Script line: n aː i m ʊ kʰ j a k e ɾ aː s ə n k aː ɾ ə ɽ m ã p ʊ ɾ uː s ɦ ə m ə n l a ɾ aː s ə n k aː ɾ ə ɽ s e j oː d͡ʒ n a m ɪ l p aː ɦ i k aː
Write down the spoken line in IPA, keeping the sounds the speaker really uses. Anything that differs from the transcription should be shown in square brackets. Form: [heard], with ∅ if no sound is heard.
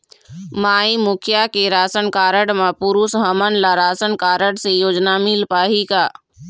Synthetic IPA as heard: [m] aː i m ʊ kʰ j a k e ɾ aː s ə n k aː ɾ ə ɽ m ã p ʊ ɾ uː s ɦ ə m ə n l a ɾ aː s ə n k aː ɾ ə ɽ s e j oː d͡ʒ n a m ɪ l p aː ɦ i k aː